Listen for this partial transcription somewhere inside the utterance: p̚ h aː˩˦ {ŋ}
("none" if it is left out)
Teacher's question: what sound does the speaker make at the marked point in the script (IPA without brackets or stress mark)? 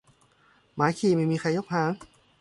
ŋ